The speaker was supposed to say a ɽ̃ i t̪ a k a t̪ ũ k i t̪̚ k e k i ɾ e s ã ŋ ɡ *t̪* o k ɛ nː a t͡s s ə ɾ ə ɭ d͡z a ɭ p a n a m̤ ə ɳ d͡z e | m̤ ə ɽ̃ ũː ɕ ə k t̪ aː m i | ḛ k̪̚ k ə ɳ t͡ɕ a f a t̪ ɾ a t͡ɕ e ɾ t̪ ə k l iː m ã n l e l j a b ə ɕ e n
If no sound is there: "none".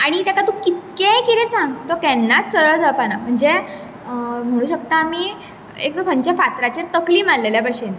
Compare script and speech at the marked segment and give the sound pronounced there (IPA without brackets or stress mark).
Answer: t̪